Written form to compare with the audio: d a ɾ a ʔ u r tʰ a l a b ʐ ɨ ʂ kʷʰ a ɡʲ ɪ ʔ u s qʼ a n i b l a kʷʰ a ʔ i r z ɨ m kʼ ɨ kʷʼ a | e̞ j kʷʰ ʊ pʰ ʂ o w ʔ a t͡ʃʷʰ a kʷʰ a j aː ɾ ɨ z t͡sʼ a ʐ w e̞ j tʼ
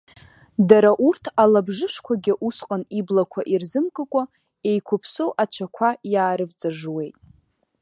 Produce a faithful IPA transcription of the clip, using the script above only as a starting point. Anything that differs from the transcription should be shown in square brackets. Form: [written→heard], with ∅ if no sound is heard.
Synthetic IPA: d a ɾ a ʔ u r tʰ a l a b ʐ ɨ ʂ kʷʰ a ɡʲ ɪ ʔ u s qʼ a n i b l a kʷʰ a ʔ i r z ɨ m kʼ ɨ kʷʼ a | e̞ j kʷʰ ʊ pʰ [ʂ→s] o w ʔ a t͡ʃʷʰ a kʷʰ a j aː ɾ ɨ [z→v] t͡sʼ a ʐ w e̞ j tʼ